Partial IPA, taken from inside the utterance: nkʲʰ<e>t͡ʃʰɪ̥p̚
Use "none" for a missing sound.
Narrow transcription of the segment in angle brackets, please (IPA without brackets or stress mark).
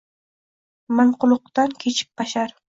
e